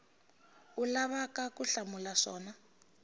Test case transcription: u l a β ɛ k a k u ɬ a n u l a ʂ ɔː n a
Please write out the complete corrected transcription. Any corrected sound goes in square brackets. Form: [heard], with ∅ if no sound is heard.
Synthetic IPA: u l a β [a] k a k u ɬ a [m] u l a ʂ ɔː n a